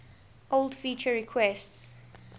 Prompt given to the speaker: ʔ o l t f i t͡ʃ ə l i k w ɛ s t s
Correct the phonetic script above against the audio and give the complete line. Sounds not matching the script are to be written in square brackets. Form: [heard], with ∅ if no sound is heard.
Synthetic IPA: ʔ o l [d] f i t͡ʃ ə [ɹ] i [kʰ] w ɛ s t s